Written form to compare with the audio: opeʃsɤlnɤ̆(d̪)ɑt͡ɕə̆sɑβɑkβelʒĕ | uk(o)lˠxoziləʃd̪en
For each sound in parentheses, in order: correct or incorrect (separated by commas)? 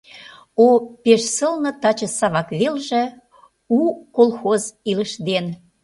incorrect, correct